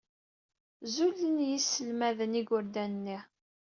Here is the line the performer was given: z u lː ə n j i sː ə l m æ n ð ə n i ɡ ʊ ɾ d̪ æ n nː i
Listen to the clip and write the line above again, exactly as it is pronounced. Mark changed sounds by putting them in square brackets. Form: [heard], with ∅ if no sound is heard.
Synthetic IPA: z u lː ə n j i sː ə l m æ [∅] ð ə n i ɡ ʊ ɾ d̪ æ n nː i

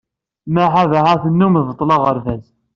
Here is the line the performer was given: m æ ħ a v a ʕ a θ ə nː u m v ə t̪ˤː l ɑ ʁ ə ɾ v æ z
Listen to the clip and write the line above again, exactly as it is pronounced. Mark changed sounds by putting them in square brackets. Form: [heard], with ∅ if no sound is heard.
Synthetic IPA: m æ ħ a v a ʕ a θ ə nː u m v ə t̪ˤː l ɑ ʁ ə ɾ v æ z

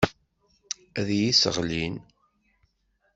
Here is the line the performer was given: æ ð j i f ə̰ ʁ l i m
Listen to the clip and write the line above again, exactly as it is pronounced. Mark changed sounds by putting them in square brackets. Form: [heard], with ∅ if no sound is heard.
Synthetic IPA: æ ð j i [s] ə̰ ʁ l i [n]

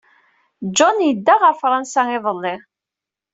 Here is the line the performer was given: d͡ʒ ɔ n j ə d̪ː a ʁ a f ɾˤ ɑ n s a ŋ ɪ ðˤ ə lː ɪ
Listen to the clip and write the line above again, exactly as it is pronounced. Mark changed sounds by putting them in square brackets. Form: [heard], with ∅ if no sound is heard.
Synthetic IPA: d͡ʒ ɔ n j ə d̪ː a ʁ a f ɾˤ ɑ n s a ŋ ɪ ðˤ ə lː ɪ

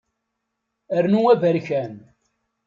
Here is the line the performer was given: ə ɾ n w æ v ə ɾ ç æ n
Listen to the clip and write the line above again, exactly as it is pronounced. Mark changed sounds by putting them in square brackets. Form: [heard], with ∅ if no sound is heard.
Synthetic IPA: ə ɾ n [u] æ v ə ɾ ç æ n

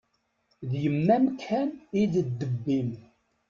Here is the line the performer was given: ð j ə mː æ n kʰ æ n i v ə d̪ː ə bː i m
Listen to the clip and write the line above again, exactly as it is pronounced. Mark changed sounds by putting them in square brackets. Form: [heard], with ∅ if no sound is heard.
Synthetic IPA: ð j ə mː æ [m] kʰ æ n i [ð] ə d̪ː ə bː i m

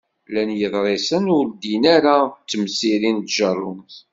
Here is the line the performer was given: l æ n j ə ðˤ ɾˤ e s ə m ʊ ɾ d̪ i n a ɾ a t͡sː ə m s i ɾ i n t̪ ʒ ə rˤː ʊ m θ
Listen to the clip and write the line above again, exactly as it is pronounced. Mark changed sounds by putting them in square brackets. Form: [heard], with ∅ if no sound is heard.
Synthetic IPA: l æ n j ə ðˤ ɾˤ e s ə [n] ʊ ɾ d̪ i n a ɾ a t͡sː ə m s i ɾ i n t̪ ʒ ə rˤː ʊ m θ

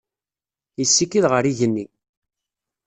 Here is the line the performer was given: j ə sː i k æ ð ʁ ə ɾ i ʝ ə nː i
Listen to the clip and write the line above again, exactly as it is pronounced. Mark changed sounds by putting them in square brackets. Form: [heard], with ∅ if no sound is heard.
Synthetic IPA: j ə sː i k [i] ð ʁ ə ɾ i ʝ ə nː i

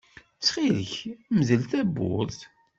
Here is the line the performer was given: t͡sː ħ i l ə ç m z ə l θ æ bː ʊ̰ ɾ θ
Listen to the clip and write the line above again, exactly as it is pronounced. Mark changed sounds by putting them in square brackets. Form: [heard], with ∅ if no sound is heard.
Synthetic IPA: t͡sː [χ] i l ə ç m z ə l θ æ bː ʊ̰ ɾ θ

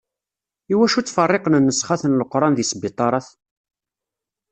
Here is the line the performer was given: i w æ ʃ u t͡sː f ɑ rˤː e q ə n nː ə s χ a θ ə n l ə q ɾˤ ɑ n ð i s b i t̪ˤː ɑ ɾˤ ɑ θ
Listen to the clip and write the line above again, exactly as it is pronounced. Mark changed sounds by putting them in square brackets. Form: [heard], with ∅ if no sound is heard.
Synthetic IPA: i w æ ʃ u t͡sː f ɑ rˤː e q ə n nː ə s χ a θ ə n l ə q ɾˤ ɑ n ð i s b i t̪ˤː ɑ ɾˤ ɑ θ

